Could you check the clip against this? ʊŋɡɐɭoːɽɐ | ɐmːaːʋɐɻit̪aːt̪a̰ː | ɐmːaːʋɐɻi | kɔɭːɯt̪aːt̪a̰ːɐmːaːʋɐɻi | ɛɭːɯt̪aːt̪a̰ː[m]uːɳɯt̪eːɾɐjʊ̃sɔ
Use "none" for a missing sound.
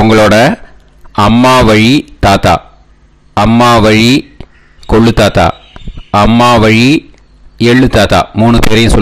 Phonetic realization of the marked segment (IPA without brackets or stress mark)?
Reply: m